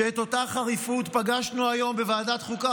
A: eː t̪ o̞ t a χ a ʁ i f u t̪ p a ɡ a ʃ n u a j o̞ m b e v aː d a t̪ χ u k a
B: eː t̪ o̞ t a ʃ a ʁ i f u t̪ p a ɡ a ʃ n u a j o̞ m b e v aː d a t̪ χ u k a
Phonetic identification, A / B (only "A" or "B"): A